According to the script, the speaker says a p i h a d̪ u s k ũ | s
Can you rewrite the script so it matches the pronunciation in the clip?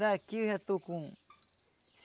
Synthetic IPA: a k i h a t̪ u k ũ | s